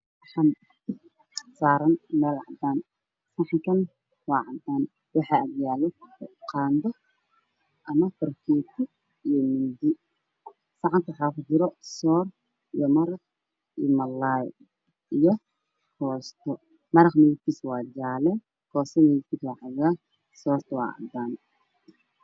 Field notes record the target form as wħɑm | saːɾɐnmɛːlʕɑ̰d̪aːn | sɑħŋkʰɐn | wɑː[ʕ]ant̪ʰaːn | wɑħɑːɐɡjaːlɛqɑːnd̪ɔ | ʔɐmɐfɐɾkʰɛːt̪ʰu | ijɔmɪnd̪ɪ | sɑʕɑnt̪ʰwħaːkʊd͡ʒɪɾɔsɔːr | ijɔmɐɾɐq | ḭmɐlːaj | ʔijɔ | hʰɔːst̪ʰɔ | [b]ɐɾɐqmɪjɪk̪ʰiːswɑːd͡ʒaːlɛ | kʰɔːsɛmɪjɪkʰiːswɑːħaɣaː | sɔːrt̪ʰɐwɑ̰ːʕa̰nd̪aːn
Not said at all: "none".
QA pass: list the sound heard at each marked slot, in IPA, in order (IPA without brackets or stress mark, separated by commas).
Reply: ʕ, m